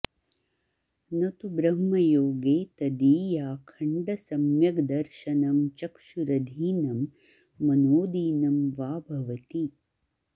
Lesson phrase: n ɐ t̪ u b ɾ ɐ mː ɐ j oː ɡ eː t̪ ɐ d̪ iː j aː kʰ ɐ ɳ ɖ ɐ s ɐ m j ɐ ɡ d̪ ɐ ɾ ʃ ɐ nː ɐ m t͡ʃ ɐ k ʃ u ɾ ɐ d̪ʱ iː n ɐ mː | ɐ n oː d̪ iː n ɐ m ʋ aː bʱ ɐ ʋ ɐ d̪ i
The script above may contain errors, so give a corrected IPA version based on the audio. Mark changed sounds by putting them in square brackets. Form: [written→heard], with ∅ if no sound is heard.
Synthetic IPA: n ɐ t̪ u b ɾ ɐ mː ɐ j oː ɡ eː t̪ ɐ d̪ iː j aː kʰ ɐ ɳ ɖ ɐ s ɐ m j ɐ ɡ d̪ ɐ ɾ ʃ ɐ [nː→n] ɐ m t͡ʃ ɐ k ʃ u ɾ ɐ d̪ʱ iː n ɐ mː | ɐ n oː d̪ iː n ɐ m ʋ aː bʱ ɐ ʋ ɐ [d̪→t̪] i